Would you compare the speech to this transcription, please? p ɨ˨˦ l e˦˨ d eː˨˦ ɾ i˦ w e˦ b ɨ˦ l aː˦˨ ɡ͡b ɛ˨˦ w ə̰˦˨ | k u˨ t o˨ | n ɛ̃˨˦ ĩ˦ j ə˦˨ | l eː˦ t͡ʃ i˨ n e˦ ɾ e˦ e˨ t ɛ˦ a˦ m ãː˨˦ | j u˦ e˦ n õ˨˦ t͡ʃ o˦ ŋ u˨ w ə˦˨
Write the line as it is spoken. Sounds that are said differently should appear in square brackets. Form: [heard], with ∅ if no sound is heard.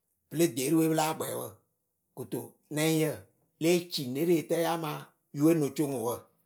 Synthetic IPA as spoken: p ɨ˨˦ l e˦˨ d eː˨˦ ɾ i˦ w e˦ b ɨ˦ l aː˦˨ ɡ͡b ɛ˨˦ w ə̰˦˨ | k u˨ t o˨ | n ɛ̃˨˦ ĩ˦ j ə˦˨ | l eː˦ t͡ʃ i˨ n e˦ ɾ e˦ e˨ t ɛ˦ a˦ m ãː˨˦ | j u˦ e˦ n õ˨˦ t͡ʃ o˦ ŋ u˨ w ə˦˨

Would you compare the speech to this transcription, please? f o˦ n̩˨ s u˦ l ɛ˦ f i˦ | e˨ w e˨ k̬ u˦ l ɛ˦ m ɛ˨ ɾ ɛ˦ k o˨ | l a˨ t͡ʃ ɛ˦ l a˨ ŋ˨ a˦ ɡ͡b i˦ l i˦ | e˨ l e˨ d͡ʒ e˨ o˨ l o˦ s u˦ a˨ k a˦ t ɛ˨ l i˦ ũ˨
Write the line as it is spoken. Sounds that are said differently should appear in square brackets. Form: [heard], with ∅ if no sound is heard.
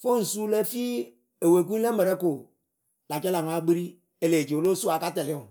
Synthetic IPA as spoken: f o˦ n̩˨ s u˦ l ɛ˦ f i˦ | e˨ w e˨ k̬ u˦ l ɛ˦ m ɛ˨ ɾ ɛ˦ k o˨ | l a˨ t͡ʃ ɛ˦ l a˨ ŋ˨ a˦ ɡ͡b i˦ [ɾ] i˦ | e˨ l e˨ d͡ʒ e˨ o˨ l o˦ s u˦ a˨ k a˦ t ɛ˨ l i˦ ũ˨

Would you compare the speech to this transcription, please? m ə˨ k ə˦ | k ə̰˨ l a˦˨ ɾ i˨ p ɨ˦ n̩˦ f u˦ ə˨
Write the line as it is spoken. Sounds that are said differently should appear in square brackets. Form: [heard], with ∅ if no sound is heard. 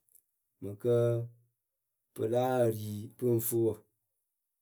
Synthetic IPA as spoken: m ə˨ k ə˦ | [p] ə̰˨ l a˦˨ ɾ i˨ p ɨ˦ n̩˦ f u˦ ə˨

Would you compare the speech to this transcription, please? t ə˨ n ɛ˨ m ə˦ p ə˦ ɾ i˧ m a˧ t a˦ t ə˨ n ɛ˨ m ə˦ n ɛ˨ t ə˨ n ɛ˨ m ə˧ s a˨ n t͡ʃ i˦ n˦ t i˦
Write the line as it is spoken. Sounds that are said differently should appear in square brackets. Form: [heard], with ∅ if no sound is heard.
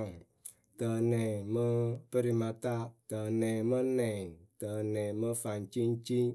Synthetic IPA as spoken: t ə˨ n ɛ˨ m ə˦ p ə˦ ɾ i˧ m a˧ t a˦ t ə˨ n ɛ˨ m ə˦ n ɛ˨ t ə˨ n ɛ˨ m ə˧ [f] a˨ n t͡ʃ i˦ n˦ [t͡ʃ] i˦

